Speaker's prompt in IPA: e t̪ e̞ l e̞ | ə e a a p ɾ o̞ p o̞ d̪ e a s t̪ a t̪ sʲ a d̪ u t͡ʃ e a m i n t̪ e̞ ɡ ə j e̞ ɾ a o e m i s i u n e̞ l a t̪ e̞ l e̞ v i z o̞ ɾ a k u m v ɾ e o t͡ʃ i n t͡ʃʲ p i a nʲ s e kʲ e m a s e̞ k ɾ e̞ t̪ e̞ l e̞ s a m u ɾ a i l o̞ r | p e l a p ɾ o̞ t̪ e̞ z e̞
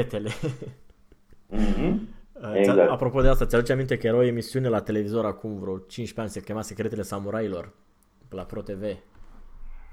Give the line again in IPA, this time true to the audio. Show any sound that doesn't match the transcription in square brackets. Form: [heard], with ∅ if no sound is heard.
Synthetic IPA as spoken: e t̪ e̞ l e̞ | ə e a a p ɾ o̞ p o̞ d̪ e a s t̪ a t̪ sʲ a d̪ u t͡ʃ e a m i n t̪ e̞ [k] ə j e̞ ɾ a o e m i s i u n e̞ l a t̪ e̞ l e̞ v i z o̞ ɾ a k u m v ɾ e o t͡ʃ i n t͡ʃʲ p [e] a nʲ s e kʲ e m a s e̞ k ɾ e̞ t̪ e̞ l e̞ s a m u ɾ a i l o̞ r | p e l a p ɾ o̞ t̪ e̞ [v] e̞